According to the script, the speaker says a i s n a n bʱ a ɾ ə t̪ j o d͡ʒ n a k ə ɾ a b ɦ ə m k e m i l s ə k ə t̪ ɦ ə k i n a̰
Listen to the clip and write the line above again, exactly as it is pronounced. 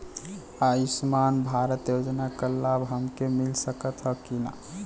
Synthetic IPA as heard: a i s m a n bʱ a ɾ ə t̪ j o d͡ʒ n a k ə l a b ɦ ə m k e m i l s ə k ə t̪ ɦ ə k i n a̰